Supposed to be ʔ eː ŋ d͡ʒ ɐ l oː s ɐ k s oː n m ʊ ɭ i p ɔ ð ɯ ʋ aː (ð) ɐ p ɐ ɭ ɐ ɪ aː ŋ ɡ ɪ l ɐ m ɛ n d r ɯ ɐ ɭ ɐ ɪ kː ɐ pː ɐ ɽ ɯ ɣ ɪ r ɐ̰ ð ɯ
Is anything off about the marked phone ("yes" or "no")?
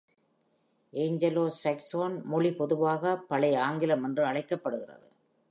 yes